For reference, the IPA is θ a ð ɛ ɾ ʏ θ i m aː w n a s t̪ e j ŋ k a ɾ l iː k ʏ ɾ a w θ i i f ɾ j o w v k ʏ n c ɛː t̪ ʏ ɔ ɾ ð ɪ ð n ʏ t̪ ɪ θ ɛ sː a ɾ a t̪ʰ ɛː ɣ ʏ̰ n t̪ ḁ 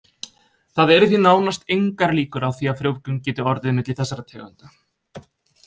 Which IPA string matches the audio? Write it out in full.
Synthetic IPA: θ a ð ɛ ɾ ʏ θ i n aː w n a s t̪ e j ŋ k a ɾ l iː k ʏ ɾ a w θ i a f ɾ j o w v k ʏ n c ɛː t̪ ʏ ɔ ɾ ð ɪ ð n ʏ t̪ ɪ θ ɛ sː a ɾ a t̪ʰ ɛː ɣ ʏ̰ n t̪ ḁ

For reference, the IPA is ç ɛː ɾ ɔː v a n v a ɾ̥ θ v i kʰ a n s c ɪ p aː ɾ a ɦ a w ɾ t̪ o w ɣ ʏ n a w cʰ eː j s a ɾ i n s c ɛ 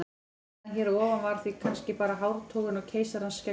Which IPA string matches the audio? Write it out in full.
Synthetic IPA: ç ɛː ɾ ɔː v a n v a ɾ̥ θ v i kʰ a n s c ɪ p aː ɾ a ɦ a w ɾ t̪ʰ o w ɣ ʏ n a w cʰ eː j s a ɾ a n s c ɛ

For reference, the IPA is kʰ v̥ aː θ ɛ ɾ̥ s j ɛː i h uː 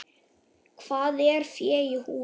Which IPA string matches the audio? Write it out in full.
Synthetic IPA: kʰ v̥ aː ð ɛ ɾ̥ f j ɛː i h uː

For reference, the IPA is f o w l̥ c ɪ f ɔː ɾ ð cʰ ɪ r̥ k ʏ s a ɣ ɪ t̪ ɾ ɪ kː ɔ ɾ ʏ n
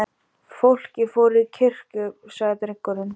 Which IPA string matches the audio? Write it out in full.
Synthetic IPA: f o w l̥ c ɪ f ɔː ɾ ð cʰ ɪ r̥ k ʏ s a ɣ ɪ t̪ ɾ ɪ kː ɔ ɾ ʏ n

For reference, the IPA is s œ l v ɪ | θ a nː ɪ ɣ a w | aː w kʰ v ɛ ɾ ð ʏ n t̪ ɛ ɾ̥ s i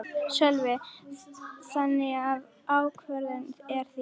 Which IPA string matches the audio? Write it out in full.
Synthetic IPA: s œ l v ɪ | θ a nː ɪ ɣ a v | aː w kʰ v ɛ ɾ ð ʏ n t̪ ɛ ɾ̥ θ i

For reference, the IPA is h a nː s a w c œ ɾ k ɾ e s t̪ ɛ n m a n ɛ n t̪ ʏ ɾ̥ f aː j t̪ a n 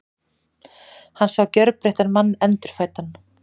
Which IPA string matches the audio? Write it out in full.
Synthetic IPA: h a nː s a w c œ ɾ p ɾ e h t̪ a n m a nː ɛ n t̪ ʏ ɾ̥ f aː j t̪ a n

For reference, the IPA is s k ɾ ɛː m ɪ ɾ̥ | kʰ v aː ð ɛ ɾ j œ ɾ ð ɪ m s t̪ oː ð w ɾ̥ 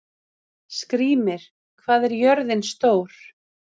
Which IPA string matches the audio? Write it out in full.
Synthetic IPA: s k ɾ iː m ɪ ɾ̥ | kʰ v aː ð ɛ ɾ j œ ɾ ð ɪ n s t̪ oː w ɾ̥

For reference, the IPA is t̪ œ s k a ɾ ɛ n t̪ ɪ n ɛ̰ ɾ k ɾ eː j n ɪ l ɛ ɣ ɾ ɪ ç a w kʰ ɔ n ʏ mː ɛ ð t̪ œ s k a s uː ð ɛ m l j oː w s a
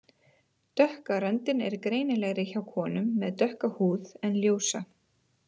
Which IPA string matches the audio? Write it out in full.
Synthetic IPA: t̪ œ h k a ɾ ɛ n t̪ ɪ n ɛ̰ ɾ k ɾ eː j n ɪ l ɛ ɣ ɾ ɪ ç a w kʰ ɔː n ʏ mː ɛ ð t̪ œ h k a h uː ð ɛ n l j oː w s a

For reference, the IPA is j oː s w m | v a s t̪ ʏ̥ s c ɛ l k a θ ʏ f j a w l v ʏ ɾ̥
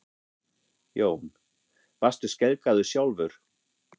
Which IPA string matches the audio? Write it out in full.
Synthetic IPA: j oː w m | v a s t̪ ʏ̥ s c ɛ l k a ð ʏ s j a w l v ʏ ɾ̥

